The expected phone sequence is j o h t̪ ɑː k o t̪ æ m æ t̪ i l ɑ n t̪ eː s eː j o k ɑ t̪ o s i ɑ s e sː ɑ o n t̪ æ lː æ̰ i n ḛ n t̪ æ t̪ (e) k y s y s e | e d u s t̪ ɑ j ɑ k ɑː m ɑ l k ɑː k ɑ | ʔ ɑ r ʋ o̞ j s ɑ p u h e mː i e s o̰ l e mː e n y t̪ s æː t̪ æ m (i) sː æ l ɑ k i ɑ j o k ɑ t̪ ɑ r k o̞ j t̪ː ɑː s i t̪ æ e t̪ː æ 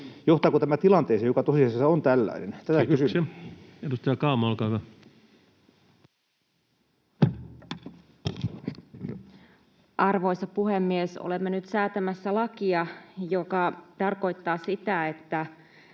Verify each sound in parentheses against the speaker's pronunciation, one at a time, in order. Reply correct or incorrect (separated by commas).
incorrect, incorrect